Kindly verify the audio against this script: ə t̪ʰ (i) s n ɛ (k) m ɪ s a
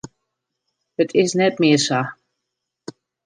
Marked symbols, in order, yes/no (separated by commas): no, no